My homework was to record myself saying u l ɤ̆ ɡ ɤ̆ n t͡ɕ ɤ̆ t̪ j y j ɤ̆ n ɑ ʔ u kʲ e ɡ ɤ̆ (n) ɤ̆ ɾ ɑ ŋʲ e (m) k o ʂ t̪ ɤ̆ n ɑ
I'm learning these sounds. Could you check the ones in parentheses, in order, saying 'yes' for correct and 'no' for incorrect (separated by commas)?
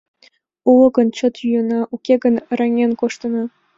yes, no